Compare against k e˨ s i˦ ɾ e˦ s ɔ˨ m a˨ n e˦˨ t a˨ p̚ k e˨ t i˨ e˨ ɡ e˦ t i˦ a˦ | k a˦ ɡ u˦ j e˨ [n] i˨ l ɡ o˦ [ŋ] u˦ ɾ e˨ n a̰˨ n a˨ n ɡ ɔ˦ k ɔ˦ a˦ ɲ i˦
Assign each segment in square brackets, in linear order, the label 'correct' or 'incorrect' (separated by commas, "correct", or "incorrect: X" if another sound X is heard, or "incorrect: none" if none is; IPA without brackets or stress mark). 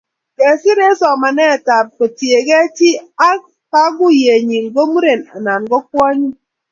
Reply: incorrect: ɲ, incorrect: m